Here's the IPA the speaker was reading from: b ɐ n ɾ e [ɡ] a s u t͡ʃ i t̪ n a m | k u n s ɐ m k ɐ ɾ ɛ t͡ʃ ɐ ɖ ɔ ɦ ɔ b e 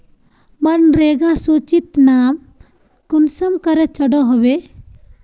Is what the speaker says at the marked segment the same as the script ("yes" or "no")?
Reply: yes